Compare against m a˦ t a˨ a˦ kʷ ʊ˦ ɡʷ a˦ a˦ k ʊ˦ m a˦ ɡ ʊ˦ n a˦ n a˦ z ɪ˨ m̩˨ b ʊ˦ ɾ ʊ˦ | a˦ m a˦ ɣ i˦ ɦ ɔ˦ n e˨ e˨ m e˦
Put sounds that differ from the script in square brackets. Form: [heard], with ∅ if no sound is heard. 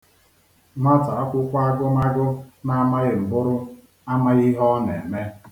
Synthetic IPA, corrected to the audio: m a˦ t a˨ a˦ kʷ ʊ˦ [kʷ] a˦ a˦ [ɡ] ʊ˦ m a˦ ɡ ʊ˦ n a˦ [m] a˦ [ɣ] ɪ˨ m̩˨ b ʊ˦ ɾ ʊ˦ | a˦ m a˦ ɣ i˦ ɦ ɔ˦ n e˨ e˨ m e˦